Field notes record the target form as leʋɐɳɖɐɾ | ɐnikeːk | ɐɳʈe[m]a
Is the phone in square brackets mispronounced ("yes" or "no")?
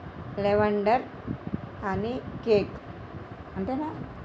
yes